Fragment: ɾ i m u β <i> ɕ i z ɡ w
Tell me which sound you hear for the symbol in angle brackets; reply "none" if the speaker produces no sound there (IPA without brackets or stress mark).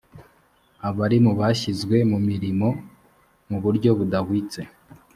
a